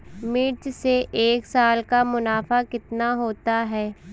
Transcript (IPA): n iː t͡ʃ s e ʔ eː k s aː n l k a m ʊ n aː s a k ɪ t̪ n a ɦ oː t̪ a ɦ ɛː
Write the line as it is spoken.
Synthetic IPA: m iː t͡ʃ s e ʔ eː k s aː l k a m ʊ n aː f a k ɪ t̪ n a ɦ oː t̪ a ɦ ɛː

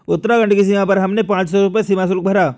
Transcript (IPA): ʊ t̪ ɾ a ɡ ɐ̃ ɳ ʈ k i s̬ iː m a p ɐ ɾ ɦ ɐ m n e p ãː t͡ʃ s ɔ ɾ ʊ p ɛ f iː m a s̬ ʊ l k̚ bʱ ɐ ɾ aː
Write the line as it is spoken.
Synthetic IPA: ʊ t̪ ɾ a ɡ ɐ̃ ɳ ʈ k i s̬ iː m a p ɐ ɾ ɦ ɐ m n e p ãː t͡ʃ s ɔ ɾ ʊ p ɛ s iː m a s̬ ʊ l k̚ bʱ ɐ ɾ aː

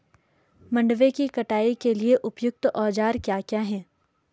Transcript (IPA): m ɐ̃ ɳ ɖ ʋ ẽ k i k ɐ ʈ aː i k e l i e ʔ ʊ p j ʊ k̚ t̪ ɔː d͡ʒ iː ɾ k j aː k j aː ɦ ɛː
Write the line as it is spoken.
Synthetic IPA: m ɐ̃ ɳ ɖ ʋ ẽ k i k ɐ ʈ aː i k e l i e ʔ ʊ p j ʊ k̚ t̪ ɔː d͡ʒ aː ɾ k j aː k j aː ɦ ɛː

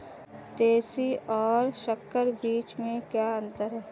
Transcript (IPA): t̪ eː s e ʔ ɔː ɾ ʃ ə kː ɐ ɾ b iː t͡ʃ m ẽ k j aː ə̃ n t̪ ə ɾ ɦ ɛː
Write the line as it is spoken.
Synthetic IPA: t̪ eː s i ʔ ɔː ɾ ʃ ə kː ə ɾ b iː t͡ʃ m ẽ k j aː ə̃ n t̪ ə ɾ ɦ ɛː

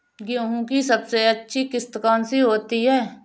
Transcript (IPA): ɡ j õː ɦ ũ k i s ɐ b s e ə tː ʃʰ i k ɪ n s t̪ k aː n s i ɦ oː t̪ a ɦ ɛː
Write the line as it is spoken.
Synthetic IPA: ɡ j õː ɦ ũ k i s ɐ b s e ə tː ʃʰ i k ɪ s t̪ k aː n s i ɦ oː t̪ i ɦ ɛː

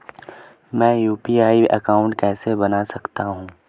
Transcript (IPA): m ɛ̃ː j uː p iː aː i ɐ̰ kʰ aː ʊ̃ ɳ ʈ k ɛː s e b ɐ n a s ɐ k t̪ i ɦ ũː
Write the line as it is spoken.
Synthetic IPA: m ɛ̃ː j uː p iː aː i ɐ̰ k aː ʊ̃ ɳ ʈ k ɛː s e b ɐ n a s ɐ k t̪ a ɦ ũː

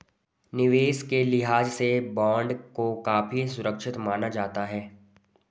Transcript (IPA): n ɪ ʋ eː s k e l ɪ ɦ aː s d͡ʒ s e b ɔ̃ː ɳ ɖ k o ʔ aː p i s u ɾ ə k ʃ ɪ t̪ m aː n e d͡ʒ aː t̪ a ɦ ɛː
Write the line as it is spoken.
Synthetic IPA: n ɪ ʋ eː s k e l ɪ ɦ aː d͡ʒ s e b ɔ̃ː ɳ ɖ k o k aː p i s ʊ ɾ ə k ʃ ɪ t̪ m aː n a d͡ʒ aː t̪ a ɦ ɛː

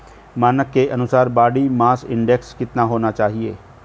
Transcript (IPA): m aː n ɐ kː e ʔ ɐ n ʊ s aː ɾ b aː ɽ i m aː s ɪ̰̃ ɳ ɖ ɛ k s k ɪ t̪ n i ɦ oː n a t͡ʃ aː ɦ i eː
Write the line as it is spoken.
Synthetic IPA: m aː n ə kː e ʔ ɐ n ʊ s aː ɾ b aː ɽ i m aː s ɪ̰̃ ɳ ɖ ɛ k s k ɪ t̪ n a ɦ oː n a t͡ʃ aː ɦ i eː

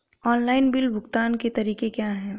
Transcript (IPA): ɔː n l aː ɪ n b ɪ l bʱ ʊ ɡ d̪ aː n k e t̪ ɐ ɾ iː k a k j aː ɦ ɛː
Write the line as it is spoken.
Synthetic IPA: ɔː n l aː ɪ n b ɪ l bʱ ʊ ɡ t̪ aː n k e t̪ ɐ ɾ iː k e k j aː ɦ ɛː

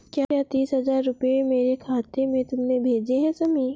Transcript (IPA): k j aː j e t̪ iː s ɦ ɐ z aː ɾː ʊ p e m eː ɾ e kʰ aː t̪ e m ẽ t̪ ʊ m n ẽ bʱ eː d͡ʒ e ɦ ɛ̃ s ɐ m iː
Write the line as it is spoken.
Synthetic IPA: k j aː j a t̪ iː s ɦ ɐ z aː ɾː ʊ p e m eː ɾ e kʰ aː t̪ e m ẽ t̪ ʊ m n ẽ bʱ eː d͡ʒ e ɦ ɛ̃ s ɐ m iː

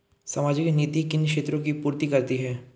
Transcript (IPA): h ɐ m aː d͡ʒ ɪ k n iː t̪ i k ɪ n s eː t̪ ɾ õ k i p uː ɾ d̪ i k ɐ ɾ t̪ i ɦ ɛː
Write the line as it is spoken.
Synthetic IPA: s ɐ m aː d͡ʒ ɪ k n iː t̪ i k ɪ n ʃ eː t̪ ɾ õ k i p uː ɾ t̪ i k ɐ ɾ t̪ i ɦ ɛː

